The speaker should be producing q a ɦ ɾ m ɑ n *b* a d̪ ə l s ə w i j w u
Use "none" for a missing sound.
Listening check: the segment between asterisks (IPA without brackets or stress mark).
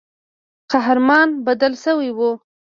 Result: b